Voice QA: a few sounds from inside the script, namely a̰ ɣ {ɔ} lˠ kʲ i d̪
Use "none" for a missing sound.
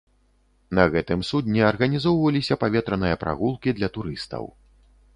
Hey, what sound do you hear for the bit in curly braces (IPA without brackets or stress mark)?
u